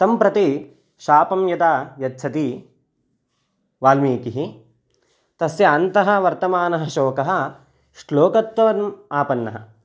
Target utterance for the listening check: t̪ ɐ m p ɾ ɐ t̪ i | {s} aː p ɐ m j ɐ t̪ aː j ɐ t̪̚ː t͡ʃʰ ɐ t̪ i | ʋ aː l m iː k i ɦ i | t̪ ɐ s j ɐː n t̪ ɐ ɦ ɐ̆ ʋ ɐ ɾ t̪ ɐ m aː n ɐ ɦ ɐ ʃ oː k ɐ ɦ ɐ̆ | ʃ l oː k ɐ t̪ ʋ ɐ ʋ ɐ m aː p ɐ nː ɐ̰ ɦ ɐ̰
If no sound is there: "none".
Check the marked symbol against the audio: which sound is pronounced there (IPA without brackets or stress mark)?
ʃ